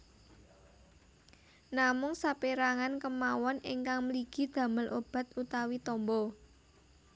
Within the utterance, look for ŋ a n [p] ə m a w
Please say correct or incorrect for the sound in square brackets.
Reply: incorrect